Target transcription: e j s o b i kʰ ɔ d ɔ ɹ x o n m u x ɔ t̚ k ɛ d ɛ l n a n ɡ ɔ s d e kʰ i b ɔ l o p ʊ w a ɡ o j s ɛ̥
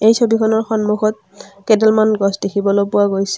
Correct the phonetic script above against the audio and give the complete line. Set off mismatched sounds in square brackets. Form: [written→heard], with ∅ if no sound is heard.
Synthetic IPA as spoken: e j s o b i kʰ ɔ [d→n] ɔ ɹ x [o→ɔ] n m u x ɔ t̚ k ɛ d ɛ l [n→m] a n ɡ ɔ s d e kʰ i b ɔ l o p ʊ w a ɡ o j s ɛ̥

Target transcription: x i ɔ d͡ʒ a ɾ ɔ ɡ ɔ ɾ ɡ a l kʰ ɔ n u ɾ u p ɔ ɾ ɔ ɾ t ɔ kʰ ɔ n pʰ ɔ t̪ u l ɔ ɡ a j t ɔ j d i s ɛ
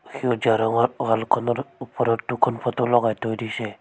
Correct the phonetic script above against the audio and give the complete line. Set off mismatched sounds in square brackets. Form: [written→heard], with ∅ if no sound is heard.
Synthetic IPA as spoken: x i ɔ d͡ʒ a ɾ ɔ [ɡ→ŋ] ɔ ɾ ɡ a l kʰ ɔ n [u→ɔ] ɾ u p ɔ ɾ ɔ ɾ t [ɔ→u] kʰ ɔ n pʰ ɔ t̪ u l ɔ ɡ a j t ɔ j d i s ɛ

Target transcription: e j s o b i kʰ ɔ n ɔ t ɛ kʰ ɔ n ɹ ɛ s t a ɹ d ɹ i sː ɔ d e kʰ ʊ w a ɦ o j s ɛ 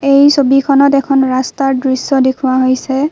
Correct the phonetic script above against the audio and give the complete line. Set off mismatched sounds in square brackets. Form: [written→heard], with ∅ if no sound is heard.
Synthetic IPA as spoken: e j s o b i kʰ ɔ n ɔ t ɛ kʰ ɔ n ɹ [ɛ→a] s t a ɹ d ɹ i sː ɔ d e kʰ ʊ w a ɦ o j s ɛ

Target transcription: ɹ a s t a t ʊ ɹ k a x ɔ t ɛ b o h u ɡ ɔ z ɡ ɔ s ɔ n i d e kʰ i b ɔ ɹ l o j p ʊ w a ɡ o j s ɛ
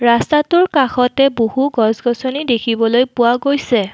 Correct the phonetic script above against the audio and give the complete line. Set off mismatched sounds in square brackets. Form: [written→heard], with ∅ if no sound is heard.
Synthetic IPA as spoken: ɹ a s t a t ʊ ɹ k a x ɔ t ɛ b o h u ɡ ɔ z ɡ ɔ s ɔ n i d e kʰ i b ɔ [ɹ→∅] l o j p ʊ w a ɡ o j s ɛ

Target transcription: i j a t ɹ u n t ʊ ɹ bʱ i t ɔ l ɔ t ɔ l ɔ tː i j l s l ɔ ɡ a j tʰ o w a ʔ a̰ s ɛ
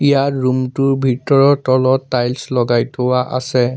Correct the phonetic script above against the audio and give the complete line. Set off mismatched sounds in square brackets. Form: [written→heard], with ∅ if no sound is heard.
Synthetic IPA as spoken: i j a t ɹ u [n→m] t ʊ ɹ bʱ i t ɔ [l→ɹ] ɔ t ɔ l ɔ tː [i→a] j l s l ɔ ɡ a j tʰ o w a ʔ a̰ s ɛ

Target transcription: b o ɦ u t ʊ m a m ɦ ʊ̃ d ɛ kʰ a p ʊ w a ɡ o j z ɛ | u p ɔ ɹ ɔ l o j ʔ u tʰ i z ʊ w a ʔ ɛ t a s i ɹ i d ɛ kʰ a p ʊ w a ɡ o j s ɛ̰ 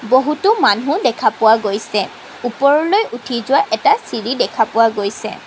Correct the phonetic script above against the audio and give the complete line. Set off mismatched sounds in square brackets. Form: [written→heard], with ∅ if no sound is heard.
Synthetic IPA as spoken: b o ɦ u t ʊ m a [m→n] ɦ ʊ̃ d ɛ kʰ a p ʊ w a ɡ o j [z→s] ɛ | u p ɔ ɹ ɔ l o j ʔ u tʰ i z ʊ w a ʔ ɛ t a s i ɹ i d ɛ kʰ a p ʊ w a ɡ o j s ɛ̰

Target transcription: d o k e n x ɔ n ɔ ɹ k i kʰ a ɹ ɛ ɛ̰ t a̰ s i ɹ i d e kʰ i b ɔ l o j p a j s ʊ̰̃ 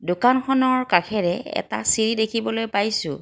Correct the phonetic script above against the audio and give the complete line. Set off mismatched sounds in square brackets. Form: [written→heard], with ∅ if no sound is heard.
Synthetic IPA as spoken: d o k [e→a] n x ɔ n ɔ ɹ k [i→a] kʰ [a→ɛ] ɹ ɛ ɛ̰ t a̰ s i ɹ i d e kʰ i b ɔ l o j p a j s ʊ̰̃

